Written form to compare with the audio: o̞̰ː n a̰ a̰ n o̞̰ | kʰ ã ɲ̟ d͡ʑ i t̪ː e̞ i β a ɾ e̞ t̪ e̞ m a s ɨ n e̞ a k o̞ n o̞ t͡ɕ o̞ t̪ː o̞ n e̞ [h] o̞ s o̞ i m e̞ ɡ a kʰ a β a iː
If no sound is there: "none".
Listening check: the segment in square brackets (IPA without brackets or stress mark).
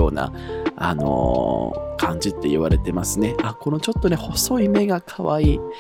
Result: h